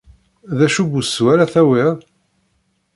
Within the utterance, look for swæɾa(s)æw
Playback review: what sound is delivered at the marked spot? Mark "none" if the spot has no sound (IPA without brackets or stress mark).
θ